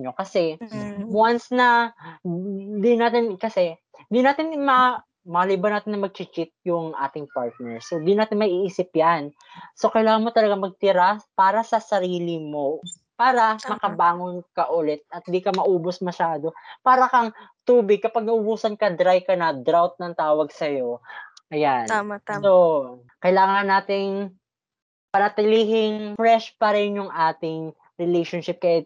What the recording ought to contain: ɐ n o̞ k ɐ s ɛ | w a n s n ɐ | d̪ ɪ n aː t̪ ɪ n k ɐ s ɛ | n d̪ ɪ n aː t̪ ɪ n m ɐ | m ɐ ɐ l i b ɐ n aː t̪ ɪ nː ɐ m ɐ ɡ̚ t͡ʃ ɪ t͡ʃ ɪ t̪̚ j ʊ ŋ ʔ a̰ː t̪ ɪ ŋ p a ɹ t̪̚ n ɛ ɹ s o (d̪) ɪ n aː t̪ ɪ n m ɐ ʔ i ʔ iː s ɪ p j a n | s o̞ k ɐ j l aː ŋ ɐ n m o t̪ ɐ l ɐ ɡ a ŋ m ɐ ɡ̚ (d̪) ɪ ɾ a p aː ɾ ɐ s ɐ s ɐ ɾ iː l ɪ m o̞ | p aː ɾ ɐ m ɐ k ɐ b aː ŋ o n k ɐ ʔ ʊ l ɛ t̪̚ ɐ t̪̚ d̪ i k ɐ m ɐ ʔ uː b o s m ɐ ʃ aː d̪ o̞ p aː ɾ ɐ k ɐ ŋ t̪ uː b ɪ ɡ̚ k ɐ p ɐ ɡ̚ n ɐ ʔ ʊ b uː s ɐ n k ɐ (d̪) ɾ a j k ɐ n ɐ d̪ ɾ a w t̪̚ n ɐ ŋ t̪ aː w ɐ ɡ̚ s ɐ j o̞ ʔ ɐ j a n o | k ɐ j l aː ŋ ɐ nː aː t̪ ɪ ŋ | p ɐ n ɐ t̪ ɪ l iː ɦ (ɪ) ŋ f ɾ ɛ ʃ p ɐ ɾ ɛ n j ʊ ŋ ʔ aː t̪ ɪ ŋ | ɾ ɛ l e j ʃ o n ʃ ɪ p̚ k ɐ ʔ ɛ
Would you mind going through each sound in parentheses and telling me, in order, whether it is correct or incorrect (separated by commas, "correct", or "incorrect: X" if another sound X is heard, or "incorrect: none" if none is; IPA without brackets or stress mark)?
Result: correct, incorrect: t̪, correct, correct